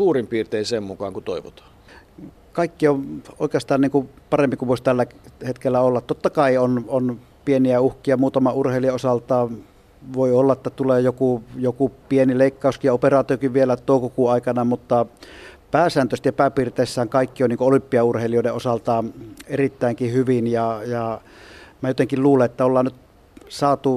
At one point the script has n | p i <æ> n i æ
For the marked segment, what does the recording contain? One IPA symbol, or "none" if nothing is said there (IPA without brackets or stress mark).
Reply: e